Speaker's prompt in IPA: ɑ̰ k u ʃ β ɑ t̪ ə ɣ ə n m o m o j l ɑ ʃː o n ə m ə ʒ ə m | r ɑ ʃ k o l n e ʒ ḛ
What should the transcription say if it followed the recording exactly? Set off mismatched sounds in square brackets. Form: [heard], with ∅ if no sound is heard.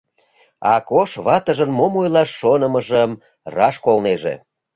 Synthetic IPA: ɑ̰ k [o] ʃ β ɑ t̪ ə [ʒ] ə n m o m o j l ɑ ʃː o n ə m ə ʒ ə m | r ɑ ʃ k o l n e ʒ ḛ